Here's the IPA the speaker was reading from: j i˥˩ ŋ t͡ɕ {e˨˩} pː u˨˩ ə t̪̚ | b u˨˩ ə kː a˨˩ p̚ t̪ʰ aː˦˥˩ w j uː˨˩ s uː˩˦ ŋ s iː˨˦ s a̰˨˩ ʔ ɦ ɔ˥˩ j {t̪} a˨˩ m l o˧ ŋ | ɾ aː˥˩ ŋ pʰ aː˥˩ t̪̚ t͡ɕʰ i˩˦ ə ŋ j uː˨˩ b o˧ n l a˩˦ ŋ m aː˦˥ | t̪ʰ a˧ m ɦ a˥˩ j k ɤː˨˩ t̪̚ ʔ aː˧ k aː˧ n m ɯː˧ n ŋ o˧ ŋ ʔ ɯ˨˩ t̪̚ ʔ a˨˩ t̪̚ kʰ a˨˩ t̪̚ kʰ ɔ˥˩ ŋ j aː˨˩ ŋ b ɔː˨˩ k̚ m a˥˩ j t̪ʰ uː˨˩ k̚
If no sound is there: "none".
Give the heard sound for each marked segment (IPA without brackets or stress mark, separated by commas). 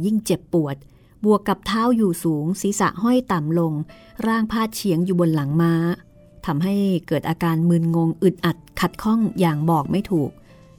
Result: e˨˩, t̪